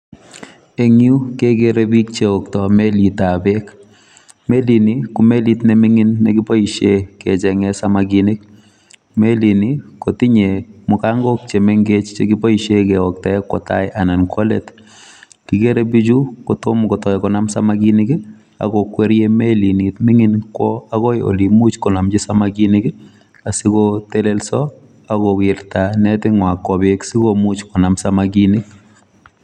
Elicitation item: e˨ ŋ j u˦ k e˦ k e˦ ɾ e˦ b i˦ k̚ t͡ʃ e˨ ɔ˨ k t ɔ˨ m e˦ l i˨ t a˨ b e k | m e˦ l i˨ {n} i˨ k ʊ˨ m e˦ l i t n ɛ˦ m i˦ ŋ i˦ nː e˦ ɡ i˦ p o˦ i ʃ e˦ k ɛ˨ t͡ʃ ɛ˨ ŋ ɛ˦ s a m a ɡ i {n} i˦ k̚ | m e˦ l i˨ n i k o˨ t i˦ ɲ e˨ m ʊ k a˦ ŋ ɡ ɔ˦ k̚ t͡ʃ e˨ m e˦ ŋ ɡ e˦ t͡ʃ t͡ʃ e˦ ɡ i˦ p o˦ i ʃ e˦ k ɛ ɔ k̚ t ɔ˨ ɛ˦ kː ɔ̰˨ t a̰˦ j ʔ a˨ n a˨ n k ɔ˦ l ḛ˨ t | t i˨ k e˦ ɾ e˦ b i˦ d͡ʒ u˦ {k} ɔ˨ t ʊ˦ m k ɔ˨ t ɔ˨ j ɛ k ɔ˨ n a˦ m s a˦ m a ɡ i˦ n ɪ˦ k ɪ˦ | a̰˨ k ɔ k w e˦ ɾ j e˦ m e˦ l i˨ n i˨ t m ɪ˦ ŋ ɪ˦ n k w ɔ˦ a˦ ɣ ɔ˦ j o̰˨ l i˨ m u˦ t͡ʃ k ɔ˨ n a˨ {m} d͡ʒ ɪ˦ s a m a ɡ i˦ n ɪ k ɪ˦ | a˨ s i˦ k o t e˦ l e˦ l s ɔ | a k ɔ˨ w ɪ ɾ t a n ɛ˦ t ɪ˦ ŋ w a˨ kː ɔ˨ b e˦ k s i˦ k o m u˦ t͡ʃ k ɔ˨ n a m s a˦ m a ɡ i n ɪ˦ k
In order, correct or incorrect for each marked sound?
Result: correct, correct, correct, correct

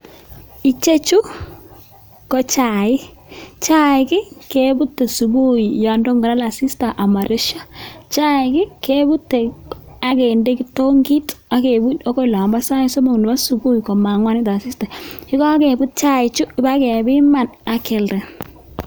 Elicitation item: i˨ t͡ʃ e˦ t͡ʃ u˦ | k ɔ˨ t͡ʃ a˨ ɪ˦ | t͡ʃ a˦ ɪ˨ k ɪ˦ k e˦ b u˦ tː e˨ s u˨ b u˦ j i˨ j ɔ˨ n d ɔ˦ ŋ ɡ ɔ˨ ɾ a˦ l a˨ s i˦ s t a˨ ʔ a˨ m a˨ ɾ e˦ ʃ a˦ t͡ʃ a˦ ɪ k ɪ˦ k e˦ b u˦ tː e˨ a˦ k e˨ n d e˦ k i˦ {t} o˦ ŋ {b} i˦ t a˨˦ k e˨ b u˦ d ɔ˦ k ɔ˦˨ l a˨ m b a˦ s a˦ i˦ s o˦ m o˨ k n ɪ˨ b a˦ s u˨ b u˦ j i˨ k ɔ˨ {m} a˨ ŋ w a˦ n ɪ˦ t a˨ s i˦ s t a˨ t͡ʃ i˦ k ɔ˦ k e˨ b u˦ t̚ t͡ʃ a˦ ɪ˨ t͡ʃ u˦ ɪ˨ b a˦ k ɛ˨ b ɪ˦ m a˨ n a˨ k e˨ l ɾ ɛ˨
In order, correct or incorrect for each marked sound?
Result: correct, incorrect, correct

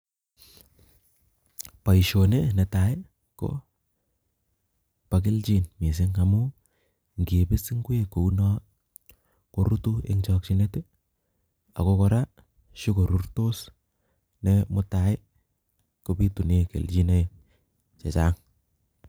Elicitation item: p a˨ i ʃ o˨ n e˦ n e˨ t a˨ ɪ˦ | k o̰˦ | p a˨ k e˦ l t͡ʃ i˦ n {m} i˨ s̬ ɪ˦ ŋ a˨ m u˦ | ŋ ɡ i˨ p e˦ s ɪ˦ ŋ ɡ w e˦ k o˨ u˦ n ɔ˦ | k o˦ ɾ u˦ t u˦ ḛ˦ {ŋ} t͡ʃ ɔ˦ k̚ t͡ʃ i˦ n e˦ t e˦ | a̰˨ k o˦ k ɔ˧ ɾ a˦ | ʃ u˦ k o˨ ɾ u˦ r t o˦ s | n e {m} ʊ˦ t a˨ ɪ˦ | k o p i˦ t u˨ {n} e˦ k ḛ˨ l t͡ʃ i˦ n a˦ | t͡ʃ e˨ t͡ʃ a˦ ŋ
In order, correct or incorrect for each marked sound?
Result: correct, correct, correct, correct

